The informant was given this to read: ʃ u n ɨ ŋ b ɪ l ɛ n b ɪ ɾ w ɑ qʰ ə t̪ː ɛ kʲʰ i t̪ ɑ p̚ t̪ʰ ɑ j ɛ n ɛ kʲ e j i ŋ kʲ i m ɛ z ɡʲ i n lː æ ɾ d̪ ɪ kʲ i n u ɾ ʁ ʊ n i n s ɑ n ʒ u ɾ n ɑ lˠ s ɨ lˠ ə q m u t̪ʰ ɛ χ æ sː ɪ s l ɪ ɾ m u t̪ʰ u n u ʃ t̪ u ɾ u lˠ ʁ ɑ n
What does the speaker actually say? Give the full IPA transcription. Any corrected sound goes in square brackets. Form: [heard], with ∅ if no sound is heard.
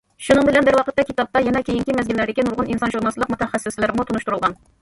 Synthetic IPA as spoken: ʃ u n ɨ ŋ b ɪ l ɛ n b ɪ ɾ w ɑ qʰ ə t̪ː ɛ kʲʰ i t̪ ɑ p̚ [t̪] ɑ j ɛ n ɛ kʲ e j i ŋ kʲ i m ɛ z ɡʲ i n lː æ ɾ d̪ ɪ kʲ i n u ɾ ʁ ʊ n i n s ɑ n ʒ u ɾ n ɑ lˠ s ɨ lˠ ə q m u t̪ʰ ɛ χ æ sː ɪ s l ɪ ɾ m u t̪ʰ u n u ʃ t̪ u ɾ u lˠ ʁ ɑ n